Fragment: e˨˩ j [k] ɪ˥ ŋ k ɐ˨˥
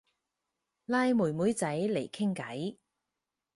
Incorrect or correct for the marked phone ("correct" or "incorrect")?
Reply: incorrect